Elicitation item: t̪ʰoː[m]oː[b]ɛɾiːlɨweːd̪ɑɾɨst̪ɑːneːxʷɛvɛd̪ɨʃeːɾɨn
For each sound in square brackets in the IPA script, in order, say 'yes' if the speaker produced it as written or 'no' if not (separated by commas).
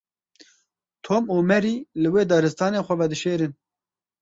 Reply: yes, no